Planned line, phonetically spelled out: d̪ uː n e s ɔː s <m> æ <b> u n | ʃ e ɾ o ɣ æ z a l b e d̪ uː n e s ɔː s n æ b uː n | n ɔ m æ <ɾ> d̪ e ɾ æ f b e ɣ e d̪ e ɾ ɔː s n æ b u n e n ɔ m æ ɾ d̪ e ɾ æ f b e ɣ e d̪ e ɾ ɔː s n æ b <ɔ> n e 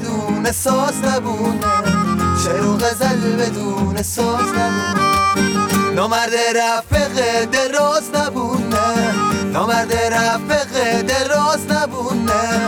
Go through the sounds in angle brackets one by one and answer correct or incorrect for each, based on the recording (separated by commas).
incorrect, correct, correct, incorrect